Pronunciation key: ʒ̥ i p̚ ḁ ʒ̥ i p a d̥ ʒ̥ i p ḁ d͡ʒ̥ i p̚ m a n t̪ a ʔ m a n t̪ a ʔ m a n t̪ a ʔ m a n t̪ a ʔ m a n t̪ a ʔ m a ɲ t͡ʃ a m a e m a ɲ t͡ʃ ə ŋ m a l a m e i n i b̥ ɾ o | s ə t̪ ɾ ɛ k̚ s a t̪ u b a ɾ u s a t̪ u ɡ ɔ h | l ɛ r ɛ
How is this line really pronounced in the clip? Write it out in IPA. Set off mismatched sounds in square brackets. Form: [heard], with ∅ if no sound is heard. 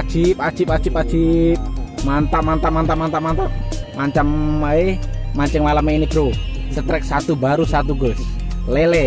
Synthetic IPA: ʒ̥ i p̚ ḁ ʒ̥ i p a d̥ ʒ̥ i p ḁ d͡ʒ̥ i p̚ m a n t̪ a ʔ m a n t̪ a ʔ m a n t̪ a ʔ m a n t̪ a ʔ m a n t̪ a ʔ m a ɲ t͡ʃ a m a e m a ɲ t͡ʃ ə ŋ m a l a m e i n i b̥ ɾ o | s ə t̪ ɾ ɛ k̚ s a t̪ u b a ɾ u s a t̪ u ɡ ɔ [s] | l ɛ [l] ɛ